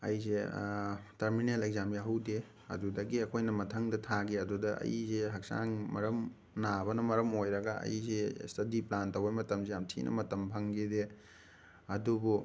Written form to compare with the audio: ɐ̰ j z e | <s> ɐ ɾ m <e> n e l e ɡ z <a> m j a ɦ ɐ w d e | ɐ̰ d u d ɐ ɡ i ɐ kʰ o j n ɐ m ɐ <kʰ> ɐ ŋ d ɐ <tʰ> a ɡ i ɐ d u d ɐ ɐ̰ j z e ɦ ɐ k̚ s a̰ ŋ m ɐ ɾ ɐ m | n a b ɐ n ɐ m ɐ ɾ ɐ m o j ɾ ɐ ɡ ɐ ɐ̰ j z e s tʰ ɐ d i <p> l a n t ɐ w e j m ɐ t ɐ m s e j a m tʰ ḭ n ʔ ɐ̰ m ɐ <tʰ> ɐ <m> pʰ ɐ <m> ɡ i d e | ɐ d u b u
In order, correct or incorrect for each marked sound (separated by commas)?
incorrect, incorrect, correct, incorrect, correct, correct, incorrect, correct, incorrect